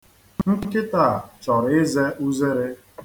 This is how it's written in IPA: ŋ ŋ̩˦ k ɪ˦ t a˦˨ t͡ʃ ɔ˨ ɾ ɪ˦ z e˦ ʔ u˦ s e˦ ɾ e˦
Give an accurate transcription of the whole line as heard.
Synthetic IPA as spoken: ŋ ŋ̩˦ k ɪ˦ t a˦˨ t͡ʃ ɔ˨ ɾ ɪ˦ z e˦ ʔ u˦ z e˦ ɾ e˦